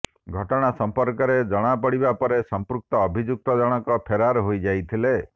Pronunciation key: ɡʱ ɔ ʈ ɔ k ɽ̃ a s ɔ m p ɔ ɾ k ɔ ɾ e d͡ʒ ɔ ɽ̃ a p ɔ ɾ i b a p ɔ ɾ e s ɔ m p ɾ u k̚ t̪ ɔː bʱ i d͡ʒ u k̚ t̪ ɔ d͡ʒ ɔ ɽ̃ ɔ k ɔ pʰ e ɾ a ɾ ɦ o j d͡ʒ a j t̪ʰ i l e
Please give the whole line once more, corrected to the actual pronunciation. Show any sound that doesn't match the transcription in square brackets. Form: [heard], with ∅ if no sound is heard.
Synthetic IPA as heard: ɡʱ ɔ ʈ ɔ [∅] ɽ̃ a s ɔ m p ɔ ɾ k ɔ ɾ e d͡ʒ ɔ ɽ̃ a p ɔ [ɽ] i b a p ɔ ɾ e s ɔ m p ɾ u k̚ t̪ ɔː bʱ i d͡ʒ u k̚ t̪ ɔ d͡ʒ ɔ ɽ̃ ɔ k ɔ pʰ e ɾ a ɾ ɦ o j d͡ʒ a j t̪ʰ i l e

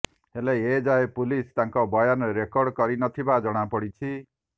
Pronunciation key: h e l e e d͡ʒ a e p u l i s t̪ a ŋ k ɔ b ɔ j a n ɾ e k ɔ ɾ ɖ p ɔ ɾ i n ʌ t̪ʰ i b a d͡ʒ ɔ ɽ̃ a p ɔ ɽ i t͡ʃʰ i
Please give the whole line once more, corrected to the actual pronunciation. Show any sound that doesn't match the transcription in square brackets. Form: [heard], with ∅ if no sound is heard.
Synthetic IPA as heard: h e l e e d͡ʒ a e p u l i s t̪ a ŋ k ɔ b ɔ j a n ɾ e k ɔ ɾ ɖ [k] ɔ ɾ i n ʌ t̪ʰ i b a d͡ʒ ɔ ɽ̃ a p ɔ ɽ i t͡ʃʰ i

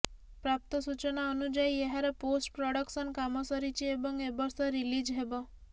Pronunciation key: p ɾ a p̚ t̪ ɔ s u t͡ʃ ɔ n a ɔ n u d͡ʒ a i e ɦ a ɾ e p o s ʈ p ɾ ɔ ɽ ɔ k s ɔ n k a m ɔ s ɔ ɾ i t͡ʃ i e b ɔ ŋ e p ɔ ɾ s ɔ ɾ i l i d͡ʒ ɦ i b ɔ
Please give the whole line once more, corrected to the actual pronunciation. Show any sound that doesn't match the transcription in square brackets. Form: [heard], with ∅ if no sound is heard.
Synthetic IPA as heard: p ɾ a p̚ t̪ ɔ s u t͡ʃ ɔ n a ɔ n u d͡ʒ a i e ɦ a ɾ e p o s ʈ p ɾ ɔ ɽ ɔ k s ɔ n k a m ɔ s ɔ ɾ i t͡ʃ i e b ɔ ŋ e [b] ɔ ɾ s ɔ ɾ i l i d͡ʒ ɦ [e] b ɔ

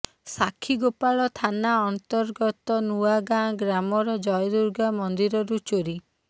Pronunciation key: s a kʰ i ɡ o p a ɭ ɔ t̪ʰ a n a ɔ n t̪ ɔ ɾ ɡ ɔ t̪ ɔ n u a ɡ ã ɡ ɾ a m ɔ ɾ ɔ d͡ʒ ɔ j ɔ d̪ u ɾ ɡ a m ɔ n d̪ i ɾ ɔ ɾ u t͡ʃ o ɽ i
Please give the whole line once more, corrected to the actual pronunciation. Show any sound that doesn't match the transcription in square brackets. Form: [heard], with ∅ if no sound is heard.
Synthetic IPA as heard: s a kʰ i ɡ o p a ɭ ɔ t̪ʰ a n a ɔ n t̪ ɔ ɾ ɡ ɔ t̪ ɔ n u a ɡ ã ɡ ɾ a m ɔ ɾ ɔ d͡ʒ ɔ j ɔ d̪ u ɾ ɡ a m ɔ n d̪ i ɾ ɔ ɾ u t͡ʃ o [ɾ] i

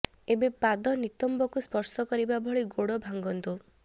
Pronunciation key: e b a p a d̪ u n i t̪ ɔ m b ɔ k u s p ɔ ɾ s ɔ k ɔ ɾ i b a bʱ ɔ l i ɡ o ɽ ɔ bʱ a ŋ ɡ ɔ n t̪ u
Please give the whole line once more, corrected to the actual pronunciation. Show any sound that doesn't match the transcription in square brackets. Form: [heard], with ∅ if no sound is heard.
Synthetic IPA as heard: e b [e] p a d̪ [ɔ] n i t̪ ɔ m b ɔ k u s p ɔ ɾ s ɔ k ɔ ɾ i b a bʱ ɔ [ɭ] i ɡ o ɽ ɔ bʱ a ŋ ɡ ɔ n t̪ u

